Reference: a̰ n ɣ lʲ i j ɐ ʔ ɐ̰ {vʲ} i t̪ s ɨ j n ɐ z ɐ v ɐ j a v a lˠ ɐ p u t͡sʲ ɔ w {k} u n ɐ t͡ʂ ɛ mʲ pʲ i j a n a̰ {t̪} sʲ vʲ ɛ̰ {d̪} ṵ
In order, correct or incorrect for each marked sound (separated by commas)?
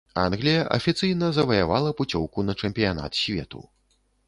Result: incorrect, correct, correct, incorrect